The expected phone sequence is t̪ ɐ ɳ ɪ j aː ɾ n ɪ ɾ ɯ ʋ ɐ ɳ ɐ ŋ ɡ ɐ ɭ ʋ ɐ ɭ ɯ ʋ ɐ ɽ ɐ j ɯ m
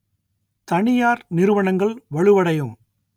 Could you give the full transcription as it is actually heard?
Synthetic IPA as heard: t̪ ɐ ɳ ɪ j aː ɾ n ɪ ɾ ɯ ʋ ɐ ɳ ɐ ŋ ɡ ɐ ɭ ʋ ɐ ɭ ɯ ʋ ɐ ɽ ɐ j ɯ m